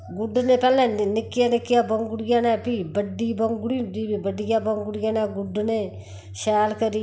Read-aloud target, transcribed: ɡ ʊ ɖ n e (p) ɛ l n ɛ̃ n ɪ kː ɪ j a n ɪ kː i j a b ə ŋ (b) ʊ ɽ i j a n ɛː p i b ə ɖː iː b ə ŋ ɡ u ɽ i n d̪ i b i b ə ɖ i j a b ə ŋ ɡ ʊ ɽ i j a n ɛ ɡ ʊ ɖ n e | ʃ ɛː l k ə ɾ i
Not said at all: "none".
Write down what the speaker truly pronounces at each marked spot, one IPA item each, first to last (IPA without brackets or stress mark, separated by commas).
p, ɡ